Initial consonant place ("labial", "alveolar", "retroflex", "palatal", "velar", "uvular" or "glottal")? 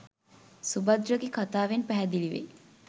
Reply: alveolar